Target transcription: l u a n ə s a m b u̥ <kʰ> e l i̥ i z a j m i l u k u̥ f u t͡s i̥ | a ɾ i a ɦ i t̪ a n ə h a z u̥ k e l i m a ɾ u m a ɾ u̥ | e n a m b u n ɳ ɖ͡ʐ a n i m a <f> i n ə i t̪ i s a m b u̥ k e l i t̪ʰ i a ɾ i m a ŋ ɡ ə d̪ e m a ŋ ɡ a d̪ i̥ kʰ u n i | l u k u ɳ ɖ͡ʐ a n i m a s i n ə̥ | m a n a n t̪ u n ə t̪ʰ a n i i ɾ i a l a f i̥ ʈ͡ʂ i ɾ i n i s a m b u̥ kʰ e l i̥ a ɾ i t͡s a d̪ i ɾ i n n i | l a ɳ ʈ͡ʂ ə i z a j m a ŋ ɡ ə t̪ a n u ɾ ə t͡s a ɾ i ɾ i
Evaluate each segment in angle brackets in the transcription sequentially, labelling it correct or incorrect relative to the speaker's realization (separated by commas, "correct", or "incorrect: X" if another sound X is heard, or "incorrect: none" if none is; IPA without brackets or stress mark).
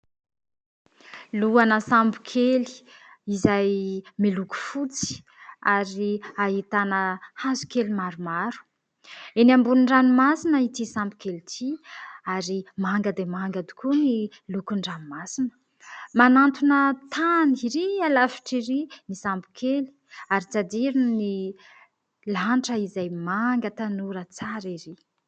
correct, incorrect: s